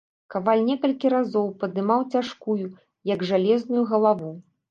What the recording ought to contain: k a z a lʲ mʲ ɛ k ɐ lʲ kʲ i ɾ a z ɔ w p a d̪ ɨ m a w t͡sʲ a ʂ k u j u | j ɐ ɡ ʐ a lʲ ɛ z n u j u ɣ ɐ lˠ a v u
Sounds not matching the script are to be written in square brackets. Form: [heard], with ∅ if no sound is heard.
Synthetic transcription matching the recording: k a [v] a lʲ [nʲ] ɛ k ɐ lʲ kʲ i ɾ a z ɔ w p [ɐ] d̪ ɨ m a w t͡sʲ a ʂ k u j u | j ɐ ɡ ʐ a lʲ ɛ z n u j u ɣ ɐ lˠ a v u